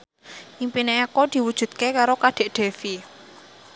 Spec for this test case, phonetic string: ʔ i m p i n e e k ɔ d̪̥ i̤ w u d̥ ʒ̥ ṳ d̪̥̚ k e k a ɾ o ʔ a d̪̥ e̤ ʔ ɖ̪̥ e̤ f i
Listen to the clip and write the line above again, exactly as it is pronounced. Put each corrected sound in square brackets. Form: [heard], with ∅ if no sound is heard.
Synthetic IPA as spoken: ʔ i m p i n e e k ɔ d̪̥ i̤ w u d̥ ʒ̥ ṳ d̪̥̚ k e k a ɾ o [k] a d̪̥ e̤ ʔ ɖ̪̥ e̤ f i